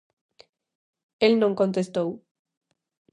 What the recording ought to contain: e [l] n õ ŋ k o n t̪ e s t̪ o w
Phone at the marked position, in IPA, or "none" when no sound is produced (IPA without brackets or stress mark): l